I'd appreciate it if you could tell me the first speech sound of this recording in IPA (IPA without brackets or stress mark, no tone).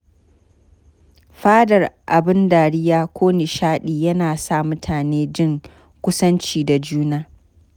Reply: ɸ